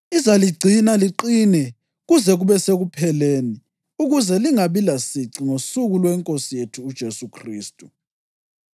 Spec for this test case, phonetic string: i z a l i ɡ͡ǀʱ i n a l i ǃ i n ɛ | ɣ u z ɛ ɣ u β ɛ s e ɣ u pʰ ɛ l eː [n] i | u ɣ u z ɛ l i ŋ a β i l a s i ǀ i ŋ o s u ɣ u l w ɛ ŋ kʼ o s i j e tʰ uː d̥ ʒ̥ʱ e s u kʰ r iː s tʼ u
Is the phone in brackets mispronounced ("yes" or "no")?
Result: no